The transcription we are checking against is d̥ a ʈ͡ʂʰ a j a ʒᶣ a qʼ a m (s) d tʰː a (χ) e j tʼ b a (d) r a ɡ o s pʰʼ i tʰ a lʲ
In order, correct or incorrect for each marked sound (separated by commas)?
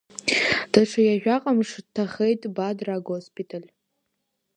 incorrect, correct, correct